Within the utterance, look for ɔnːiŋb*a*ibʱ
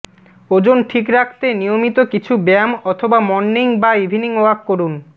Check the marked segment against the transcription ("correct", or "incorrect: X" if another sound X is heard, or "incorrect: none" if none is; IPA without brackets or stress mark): correct